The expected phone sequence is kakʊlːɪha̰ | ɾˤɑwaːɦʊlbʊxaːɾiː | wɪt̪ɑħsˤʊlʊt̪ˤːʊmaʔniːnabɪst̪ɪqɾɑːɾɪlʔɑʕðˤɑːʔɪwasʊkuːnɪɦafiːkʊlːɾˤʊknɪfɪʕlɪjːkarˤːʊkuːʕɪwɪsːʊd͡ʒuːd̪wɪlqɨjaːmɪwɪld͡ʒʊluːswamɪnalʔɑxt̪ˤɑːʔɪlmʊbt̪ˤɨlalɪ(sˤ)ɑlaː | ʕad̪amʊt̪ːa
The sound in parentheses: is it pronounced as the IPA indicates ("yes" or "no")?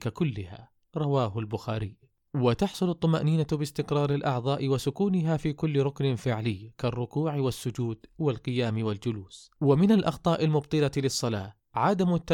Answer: no